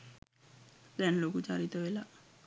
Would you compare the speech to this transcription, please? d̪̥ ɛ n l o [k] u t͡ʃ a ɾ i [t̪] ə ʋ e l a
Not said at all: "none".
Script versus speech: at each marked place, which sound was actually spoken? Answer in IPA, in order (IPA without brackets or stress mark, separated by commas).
k, t̪